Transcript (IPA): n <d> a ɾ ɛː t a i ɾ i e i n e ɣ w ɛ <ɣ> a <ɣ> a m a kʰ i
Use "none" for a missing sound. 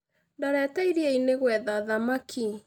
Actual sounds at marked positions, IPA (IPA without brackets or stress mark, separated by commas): d, ð, ð